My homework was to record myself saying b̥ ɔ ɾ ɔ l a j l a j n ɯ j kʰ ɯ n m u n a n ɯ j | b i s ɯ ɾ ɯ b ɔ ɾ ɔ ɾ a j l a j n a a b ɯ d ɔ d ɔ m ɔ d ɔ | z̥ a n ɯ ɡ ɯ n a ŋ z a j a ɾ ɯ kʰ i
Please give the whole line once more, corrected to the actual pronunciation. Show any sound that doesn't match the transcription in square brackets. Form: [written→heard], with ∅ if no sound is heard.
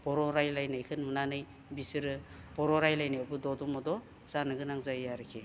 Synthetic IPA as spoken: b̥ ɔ ɾ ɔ [l→ɾ] a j l a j n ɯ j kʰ ɯ n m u n a n ɯ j | b i s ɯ ɾ ɯ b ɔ ɾ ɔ ɾ a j l a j n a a b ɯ d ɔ d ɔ m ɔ d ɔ | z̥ a n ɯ ɡ ɯ n a ŋ z a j a ɾ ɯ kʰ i

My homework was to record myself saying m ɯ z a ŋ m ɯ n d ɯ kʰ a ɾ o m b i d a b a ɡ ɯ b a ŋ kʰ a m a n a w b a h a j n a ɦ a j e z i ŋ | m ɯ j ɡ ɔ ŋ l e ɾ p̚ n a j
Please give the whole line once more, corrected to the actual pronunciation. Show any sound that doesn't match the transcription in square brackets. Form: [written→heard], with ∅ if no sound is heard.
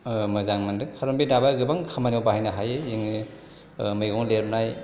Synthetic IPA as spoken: m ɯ z a ŋ m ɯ n d ɯ kʰ a ɾ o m b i d a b a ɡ ɯ b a ŋ kʰ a m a n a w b a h a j n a ɦ a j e z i ŋ | m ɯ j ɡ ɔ ŋ l e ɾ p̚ n a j

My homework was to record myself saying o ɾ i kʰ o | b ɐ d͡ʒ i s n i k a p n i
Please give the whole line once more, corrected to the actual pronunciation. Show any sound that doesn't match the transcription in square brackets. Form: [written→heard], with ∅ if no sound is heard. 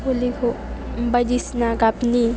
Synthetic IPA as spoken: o [ɾ→l] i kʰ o | b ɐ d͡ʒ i s n [i→a] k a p n i

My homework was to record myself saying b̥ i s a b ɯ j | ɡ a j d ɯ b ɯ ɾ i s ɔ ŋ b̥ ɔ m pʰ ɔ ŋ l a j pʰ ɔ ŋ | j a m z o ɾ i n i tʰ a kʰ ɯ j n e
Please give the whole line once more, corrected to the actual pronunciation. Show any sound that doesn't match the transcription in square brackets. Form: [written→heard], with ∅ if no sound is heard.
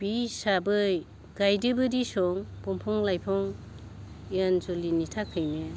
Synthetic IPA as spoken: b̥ i s a b ɯ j | ɡ a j d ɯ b ɯ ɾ i s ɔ ŋ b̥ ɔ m pʰ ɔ ŋ l a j pʰ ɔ ŋ | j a [m→n] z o [ɾ→l] i n i tʰ a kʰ ɯ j n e

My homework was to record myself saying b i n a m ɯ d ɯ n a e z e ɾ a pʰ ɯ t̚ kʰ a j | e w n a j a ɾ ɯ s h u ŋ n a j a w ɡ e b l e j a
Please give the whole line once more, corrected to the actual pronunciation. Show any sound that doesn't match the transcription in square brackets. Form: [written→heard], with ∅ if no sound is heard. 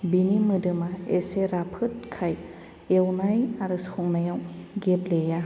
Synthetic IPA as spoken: b i n [a→i] m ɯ d ɯ [n→m] a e [z→s] e ɾ a pʰ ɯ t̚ kʰ a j | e w n a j a ɾ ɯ s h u ŋ n a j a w ɡ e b l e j a

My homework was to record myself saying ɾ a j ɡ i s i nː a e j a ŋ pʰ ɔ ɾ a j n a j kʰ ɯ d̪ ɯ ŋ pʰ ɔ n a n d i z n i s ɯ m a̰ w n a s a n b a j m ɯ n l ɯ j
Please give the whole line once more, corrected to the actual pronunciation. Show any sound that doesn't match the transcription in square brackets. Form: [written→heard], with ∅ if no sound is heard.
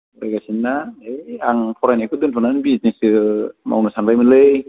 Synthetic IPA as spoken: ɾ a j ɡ [i→a] s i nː a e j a ŋ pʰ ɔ ɾ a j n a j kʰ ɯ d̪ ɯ [ŋ→n] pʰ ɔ n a n [d→b] i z n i s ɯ m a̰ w n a s a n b a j m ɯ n l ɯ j

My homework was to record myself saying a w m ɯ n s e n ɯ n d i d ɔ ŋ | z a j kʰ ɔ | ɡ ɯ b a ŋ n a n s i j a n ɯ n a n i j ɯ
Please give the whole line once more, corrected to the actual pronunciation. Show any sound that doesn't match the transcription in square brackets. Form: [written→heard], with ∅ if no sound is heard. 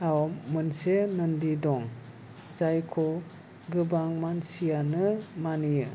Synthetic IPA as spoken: a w m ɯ n s e n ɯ n d i d ɔ ŋ | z a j kʰ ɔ | ɡ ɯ b a ŋ [n→m] a n s i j a n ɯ [n→m] a n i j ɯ

